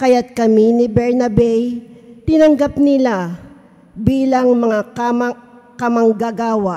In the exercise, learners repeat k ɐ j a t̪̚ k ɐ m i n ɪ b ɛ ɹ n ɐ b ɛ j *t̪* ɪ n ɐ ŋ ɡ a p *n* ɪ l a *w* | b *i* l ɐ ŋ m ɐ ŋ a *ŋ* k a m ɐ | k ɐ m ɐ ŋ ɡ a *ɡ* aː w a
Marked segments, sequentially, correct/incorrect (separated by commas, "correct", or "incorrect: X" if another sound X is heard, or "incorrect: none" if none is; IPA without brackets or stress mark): correct, correct, incorrect: none, incorrect: iː, incorrect: none, correct